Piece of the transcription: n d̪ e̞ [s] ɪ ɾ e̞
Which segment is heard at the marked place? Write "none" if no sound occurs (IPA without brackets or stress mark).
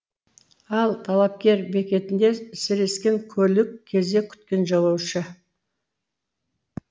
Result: s